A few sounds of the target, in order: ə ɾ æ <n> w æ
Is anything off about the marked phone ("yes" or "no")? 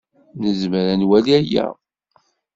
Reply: no